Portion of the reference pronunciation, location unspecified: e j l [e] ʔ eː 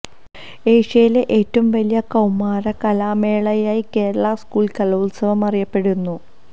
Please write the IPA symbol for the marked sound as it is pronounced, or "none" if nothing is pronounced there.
e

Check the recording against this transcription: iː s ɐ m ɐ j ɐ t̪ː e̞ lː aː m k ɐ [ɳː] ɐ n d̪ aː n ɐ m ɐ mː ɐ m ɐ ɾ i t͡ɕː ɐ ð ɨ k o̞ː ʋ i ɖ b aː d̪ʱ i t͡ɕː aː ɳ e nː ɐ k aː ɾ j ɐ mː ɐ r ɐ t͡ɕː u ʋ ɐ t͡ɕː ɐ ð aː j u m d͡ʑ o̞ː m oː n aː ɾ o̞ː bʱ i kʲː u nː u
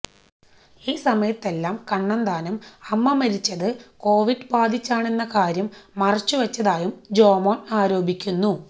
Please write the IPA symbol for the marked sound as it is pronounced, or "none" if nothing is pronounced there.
ɳː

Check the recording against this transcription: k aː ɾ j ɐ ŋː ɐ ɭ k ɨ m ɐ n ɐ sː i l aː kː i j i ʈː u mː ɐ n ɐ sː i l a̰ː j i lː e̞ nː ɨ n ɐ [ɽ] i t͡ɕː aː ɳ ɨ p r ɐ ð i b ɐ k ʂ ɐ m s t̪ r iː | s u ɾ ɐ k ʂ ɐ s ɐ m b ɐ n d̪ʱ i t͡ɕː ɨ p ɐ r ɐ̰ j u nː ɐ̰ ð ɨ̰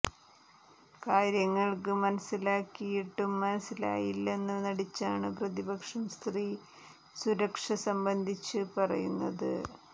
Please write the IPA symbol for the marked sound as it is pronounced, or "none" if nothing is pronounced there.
ɽ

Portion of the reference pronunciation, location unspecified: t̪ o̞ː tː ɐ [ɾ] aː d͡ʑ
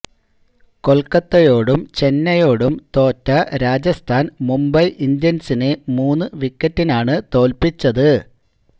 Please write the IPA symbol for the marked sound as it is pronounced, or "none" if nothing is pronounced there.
ɾ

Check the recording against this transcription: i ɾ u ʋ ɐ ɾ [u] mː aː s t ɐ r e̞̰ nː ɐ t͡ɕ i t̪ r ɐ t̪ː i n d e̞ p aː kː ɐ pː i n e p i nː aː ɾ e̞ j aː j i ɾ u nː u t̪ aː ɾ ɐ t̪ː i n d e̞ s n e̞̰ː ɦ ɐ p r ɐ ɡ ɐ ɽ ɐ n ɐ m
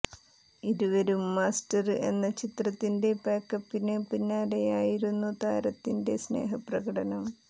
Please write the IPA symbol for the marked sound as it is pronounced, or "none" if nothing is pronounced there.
u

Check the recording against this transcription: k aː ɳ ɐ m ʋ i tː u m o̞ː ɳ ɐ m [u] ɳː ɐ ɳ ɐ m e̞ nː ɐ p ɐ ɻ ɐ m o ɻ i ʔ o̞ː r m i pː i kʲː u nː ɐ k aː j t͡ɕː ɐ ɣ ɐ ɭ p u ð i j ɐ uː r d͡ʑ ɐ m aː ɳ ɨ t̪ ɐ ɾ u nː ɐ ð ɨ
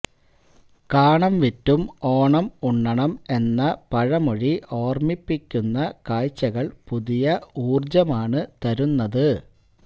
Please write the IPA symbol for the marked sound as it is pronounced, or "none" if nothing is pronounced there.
u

